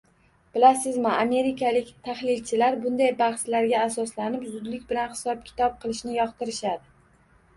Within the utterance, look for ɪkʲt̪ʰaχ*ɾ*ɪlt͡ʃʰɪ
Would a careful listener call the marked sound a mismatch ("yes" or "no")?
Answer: yes